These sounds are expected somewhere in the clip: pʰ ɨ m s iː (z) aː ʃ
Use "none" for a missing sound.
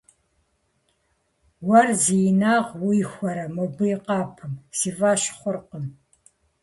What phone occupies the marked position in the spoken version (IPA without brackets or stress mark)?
v